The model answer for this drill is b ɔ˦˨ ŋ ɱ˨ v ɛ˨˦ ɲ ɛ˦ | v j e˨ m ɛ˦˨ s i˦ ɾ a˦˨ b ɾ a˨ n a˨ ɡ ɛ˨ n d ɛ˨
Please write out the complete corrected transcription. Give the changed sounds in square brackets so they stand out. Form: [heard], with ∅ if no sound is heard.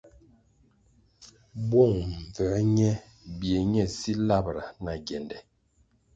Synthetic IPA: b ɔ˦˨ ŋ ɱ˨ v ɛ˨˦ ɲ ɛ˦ | [b] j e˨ [ɲ] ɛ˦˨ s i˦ [l] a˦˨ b ɾ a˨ n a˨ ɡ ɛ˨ n d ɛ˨

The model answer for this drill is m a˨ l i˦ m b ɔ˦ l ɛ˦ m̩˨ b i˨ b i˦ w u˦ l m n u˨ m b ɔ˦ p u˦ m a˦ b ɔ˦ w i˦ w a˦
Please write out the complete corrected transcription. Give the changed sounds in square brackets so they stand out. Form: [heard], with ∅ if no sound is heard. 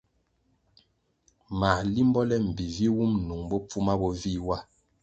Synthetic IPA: m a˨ l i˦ m b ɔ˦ l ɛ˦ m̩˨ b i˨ [v] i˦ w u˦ [∅] m n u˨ [ŋ] b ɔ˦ [p͡f] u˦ m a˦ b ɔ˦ [v] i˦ w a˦

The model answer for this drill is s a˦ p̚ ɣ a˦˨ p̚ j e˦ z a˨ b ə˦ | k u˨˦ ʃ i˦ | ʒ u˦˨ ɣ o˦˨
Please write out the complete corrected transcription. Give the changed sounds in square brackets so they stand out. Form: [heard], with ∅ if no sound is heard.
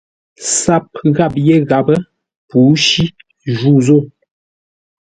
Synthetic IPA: s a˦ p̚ ɣ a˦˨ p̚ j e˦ [ɣ] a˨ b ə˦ | [p] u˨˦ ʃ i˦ | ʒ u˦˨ [z] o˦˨

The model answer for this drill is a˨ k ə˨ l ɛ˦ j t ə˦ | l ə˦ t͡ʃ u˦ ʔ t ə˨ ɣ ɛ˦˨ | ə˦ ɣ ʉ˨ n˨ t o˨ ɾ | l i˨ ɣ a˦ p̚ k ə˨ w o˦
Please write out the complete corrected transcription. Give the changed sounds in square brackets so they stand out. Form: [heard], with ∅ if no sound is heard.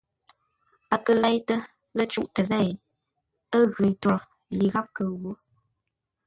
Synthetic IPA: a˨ k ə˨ l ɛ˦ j t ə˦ | l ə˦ t͡ʃ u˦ ʔ t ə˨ [z] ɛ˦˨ | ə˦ ɣ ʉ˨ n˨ t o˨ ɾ | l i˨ ɣ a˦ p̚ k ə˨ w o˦

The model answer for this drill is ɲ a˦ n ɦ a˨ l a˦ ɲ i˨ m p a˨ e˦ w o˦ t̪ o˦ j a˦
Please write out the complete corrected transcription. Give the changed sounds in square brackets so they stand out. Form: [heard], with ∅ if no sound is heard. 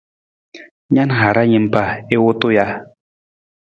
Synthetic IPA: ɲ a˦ n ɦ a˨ [ɾ] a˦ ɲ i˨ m p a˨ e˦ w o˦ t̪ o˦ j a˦

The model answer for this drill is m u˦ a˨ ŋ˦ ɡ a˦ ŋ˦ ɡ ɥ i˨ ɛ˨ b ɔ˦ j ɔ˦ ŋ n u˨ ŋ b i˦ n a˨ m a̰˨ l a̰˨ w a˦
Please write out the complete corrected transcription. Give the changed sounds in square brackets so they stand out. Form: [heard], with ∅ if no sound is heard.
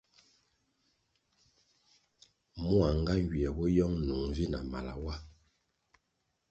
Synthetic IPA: m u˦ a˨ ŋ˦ ɡ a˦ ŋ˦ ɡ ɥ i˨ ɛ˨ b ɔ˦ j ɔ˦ ŋ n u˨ ŋ [v] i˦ n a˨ m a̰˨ l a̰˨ w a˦

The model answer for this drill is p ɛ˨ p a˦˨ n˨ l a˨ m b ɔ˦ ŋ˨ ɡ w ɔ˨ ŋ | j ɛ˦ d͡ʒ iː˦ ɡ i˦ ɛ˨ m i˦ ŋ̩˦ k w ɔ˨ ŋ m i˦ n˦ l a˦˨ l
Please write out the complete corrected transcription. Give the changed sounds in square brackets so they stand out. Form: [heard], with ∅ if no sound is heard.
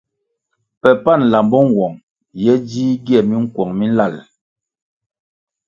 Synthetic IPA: p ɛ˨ p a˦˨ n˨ l a˨ m b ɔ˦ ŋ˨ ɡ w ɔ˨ ŋ | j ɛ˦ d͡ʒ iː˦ ɡ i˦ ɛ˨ m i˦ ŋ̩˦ k w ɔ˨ ŋ m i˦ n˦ l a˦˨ l

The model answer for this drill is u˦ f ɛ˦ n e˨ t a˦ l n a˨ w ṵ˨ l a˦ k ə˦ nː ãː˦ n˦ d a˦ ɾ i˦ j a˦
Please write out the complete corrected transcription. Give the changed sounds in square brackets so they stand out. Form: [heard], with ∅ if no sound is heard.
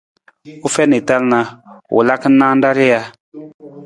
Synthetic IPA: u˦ f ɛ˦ n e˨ t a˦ l n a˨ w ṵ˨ l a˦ k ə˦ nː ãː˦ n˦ d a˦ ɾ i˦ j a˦

